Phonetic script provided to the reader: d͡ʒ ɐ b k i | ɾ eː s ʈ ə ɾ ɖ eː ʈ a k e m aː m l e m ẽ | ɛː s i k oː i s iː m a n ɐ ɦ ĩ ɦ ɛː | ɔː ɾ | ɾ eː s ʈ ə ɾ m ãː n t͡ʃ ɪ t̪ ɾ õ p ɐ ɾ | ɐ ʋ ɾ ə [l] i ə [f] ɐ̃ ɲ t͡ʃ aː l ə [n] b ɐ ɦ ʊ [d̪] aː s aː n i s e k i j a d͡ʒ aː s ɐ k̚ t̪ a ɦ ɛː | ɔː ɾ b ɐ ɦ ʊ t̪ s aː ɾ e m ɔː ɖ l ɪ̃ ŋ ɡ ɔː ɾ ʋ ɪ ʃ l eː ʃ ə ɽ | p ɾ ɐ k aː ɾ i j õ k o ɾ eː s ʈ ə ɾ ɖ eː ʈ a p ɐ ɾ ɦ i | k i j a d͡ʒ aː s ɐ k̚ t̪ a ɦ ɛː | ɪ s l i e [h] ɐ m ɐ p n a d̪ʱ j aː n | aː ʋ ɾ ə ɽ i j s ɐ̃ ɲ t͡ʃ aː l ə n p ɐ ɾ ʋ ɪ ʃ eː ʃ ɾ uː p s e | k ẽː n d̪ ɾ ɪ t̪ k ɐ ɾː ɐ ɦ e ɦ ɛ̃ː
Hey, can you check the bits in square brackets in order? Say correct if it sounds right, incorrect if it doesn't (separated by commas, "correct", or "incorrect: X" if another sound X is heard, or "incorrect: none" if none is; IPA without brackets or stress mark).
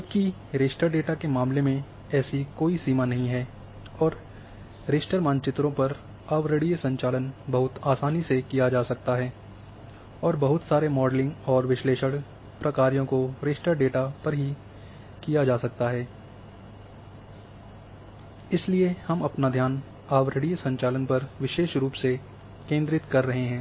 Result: incorrect: ɽ, incorrect: s, correct, incorrect: t̪, correct